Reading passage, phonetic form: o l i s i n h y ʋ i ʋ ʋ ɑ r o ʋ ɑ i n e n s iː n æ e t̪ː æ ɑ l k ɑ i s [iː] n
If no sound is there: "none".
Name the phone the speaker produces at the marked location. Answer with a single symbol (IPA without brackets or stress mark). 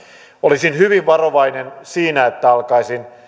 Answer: i